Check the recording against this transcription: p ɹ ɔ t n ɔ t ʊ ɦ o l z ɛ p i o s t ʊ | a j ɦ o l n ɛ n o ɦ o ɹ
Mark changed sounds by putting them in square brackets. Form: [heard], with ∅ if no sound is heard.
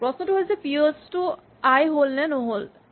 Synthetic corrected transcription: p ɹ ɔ [s] n ɔ t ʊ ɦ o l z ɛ p i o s t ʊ | a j ɦ o l n ɛ n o ɦ o [l]